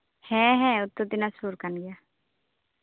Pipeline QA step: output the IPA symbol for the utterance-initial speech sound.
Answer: h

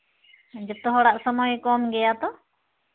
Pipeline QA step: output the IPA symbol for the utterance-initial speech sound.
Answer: d͡ʒ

